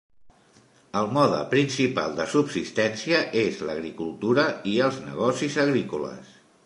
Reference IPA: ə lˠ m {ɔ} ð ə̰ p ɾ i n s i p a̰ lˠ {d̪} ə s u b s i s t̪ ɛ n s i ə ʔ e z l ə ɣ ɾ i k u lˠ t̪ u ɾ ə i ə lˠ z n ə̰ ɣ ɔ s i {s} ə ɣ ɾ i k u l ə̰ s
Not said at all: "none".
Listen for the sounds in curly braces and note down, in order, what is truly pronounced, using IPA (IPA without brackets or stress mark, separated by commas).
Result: ɔ, d̪, z